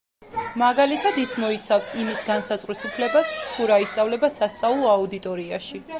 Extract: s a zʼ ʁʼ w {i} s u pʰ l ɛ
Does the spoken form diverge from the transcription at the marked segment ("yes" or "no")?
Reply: no